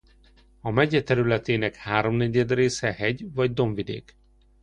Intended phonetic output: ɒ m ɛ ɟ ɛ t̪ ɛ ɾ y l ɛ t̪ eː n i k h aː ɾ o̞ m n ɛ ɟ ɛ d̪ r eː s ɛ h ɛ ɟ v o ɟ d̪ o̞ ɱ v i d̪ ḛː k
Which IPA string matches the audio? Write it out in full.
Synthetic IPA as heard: ɒ m ɛ ɟ ɛ t̪ ɛ ɾ y l ɛ t̪ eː n ɛ k h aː ɾ o̞ m n ɛ ɟ ɛ d̪ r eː s ɛ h ɛ ɟ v ɒ ɟ d̪ o̞ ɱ v i d̪ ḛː k

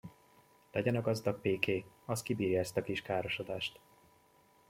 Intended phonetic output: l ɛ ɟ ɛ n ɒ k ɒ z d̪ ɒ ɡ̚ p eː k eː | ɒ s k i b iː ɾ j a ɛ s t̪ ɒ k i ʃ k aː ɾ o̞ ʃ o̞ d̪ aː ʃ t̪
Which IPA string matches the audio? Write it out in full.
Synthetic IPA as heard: l ɛ ɟ ɛ n ɒ ɡ ɒ z d̪ ɒ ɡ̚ p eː k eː | ɒ s k i b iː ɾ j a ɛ s t̪ ɒ k i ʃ k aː ɾ o̞ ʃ o̞ d̪ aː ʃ t̪

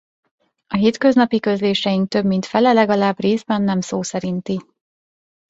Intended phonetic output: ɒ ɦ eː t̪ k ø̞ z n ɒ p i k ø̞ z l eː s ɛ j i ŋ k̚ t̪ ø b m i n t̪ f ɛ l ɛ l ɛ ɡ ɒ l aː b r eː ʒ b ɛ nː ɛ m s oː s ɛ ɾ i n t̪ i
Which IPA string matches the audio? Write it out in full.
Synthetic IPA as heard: ɒ ɦ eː t̪ k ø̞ z n ɒ p i k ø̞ z l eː ʃ ɛ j i ŋ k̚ t̪ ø b m i n t̪ f ɛ l ɛ l ɛ ɡ ɒ l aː b r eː z b ɛ nː ɛ m s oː s ɛ ɾ i n t̪ i

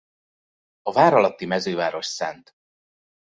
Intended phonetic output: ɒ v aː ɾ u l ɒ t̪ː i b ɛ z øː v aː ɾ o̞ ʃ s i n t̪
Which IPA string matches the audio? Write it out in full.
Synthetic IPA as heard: ɒ v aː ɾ ɒ l ɒ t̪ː i m ɛ z øː v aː ɾ o̞ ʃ s ɛ n t̪

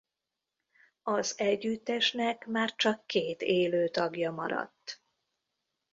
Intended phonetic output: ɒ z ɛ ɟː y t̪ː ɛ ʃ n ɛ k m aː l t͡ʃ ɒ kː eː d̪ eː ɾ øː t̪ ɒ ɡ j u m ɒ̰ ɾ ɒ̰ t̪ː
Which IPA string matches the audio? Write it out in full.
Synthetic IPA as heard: ɒ z ɛ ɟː y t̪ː ɛ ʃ n ɛ k m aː r t͡ʃ ɒ kː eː t̪ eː l øː t̪ ɒ ɡ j ɒ m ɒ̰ ɾ ɒ̰ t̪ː

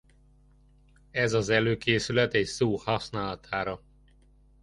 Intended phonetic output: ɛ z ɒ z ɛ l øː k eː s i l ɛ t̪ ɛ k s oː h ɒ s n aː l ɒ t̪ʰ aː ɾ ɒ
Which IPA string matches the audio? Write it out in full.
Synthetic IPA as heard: ɛ z ɒ z ɛ l øː k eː s y l ɛ t̪ ɛ c s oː h ɒ s n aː l ɒ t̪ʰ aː ɾ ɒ

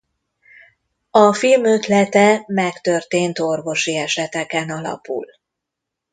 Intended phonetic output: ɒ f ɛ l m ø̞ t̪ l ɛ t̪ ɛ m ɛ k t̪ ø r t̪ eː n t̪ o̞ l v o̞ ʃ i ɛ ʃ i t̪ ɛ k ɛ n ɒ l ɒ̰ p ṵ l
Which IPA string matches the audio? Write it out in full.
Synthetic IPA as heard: ɒ f i l m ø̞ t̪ l ɛ t̪ ɛ m ɛ k t̪ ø r t̪ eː n t̪ o̞ r v o̞ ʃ i ɛ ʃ ɛ t̪ ɛ k ɛ n ɒ l ɒ̰ p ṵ l

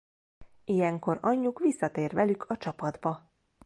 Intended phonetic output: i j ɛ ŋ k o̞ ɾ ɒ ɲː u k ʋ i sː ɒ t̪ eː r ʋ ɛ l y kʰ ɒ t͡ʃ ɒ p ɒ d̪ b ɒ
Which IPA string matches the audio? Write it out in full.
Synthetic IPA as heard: i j ɛ ŋ k o̞ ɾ ɒ ɲː u k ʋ i sː ɒ t̪ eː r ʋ ɛ l y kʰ ɒ t͡ʃ ɒ p ɒ d̪ b ɒ

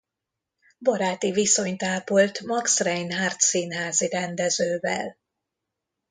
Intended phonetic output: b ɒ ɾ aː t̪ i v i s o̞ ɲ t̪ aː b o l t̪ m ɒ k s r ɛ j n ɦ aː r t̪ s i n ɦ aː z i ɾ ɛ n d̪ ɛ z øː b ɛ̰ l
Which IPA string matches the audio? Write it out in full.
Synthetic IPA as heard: b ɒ ɾ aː t̪ i v i s o̞ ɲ t̪ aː p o l t̪ m ɒ k s r ɛ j n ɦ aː r t̪ s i n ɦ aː z i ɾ ɛ n d̪ ɛ z øː v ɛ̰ l

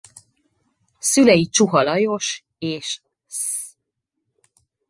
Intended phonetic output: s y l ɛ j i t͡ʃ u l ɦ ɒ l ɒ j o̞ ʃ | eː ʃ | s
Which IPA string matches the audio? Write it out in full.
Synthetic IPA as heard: s y l ɛ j i t͡ʃ u ɦ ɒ l ɒ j o̞ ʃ | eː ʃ | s

